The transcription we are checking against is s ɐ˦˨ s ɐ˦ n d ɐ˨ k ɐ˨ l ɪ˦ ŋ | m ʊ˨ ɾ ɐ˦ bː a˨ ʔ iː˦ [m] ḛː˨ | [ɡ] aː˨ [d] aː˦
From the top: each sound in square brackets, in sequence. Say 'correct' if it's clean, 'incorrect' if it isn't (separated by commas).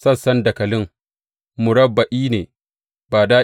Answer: incorrect, incorrect, correct